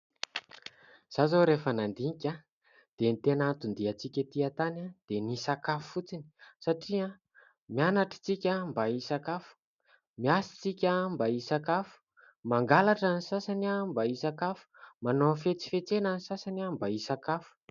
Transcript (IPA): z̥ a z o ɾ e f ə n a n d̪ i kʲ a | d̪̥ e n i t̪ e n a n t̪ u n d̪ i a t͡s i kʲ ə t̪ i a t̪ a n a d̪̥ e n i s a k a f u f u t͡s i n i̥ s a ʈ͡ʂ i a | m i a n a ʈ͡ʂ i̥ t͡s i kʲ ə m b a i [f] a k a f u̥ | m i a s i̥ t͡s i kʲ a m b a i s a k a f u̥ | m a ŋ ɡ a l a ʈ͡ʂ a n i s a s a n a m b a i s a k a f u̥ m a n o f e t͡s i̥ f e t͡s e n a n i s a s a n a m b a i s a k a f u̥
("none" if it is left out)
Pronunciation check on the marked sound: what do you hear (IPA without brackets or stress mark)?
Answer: s